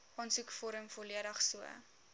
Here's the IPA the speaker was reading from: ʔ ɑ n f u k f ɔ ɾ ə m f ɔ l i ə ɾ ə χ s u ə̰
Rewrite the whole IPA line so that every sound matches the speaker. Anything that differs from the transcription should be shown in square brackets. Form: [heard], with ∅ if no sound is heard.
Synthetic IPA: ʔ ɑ n [s] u k f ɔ ɾ ə m f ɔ l i ə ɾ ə χ s u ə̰